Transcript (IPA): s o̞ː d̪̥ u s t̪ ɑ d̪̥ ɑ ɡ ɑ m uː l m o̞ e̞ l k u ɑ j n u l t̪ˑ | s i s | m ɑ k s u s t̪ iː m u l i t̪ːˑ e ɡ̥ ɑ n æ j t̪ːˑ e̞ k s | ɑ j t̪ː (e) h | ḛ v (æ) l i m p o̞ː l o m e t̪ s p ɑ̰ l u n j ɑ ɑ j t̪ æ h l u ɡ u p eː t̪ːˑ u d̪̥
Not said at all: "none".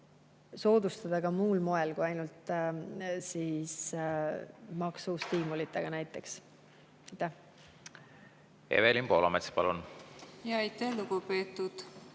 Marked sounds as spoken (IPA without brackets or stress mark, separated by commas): æ, e